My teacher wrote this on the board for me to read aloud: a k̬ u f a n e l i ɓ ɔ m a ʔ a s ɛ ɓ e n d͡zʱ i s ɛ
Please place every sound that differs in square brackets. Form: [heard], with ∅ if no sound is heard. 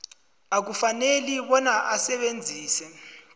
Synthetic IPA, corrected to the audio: a k̬ u f a n e l i ɓ ɔ [n] a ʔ a s ɛ ɓ e n d͡zʱ [iː] s ɛ